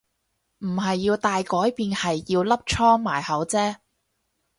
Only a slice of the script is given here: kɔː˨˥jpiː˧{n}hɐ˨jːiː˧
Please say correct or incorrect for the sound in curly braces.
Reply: correct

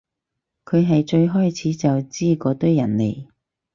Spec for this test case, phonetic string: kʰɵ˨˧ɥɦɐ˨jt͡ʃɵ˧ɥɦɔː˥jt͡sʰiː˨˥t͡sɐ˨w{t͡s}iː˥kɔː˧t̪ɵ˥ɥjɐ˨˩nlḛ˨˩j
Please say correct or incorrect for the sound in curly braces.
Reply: correct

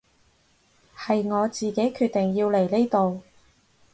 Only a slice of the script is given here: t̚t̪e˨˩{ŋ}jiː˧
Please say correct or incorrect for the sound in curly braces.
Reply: correct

